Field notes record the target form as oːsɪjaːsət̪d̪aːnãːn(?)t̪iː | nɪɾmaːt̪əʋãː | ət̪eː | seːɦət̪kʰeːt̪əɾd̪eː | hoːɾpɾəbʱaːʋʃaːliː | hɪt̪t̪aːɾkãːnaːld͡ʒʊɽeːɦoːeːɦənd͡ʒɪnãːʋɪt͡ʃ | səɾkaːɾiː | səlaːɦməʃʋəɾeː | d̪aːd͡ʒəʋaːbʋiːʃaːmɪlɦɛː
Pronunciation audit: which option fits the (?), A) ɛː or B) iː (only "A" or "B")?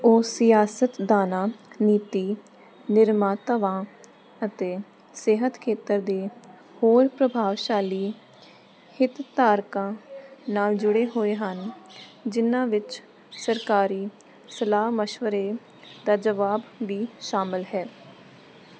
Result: B